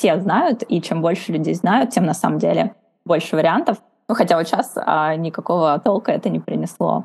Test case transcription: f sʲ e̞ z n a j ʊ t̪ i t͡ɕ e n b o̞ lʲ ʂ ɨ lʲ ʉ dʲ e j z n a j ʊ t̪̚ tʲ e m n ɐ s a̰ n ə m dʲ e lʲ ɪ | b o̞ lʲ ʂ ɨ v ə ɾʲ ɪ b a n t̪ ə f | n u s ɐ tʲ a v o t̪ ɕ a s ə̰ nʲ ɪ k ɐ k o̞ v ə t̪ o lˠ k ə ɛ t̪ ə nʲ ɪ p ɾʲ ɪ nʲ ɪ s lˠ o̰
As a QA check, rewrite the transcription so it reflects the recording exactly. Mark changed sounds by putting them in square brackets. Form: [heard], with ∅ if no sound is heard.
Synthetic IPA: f sʲ e̞ z n a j ʊ t̪ i t͡ɕ e [m] b o̞ lʲ ʂ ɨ lʲ ʉ dʲ e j z n a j ʊ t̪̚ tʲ e m n ɐ s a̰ [m] ə m dʲ e lʲ ɪ | b o̞ lʲ ʂ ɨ v ə ɾʲ ɪ [∅] a n t̪ ə f | n u [x] ɐ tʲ a v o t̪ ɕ a s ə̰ nʲ ɪ k ɐ k o̞ v ə t̪ o lˠ k ə ɛ t̪ ə nʲ ɪ p ɾʲ ɪ nʲ ɪ s lˠ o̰